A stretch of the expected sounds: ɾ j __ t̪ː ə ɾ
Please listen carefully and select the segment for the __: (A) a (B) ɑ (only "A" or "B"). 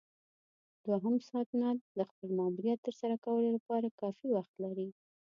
A